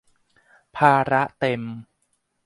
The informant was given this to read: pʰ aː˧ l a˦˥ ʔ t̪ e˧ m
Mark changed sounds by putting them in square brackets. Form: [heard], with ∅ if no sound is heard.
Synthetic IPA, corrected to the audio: pʰ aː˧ [ɾ] a˦˥ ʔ t̪ e˧ m